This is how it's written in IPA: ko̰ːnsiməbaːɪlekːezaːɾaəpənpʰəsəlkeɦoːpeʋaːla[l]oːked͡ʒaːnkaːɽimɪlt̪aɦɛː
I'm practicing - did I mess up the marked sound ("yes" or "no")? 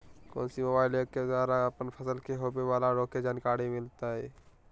yes